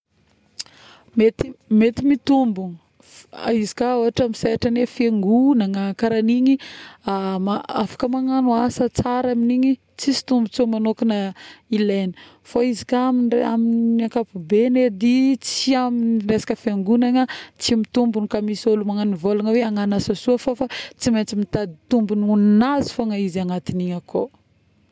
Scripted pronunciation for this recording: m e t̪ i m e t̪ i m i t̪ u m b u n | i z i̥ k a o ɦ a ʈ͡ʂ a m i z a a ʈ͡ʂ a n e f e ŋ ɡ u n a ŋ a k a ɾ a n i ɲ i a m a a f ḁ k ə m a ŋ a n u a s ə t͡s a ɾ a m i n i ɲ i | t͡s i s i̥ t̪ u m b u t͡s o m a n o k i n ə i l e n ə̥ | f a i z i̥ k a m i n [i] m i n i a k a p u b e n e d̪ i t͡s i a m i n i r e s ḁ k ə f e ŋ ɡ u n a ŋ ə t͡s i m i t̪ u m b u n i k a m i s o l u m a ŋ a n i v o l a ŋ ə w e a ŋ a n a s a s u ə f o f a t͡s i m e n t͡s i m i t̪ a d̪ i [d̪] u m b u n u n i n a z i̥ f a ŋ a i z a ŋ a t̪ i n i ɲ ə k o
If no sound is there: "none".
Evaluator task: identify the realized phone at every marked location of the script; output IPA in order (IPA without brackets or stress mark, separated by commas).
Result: a, t̪